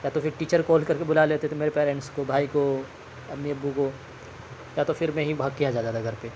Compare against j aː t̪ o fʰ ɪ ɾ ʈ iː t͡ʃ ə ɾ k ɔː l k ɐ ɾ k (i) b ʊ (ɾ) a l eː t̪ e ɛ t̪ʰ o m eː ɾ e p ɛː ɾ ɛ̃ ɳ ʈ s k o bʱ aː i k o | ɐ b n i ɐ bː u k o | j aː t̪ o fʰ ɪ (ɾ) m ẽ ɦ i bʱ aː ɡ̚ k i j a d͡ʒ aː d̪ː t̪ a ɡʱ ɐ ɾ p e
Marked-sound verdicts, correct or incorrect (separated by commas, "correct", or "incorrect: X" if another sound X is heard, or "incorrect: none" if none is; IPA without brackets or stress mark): incorrect: e, incorrect: l, correct